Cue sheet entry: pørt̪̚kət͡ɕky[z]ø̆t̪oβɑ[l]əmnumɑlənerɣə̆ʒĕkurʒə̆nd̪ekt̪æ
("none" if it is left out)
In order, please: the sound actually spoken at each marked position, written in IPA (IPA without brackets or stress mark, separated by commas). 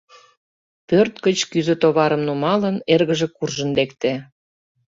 z, ɾ